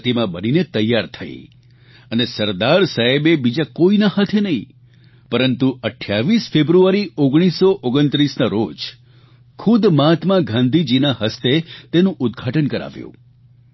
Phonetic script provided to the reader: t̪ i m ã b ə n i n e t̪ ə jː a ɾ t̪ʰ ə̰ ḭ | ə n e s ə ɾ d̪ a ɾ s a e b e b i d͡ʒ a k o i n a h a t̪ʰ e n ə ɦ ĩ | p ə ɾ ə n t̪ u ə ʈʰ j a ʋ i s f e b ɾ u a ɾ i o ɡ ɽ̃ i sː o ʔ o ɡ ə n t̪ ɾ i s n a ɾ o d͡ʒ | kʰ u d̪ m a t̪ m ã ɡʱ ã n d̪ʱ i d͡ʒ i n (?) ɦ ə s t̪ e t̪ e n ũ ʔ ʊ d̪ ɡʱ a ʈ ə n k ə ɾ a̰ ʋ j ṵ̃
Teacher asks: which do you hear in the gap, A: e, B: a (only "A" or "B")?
B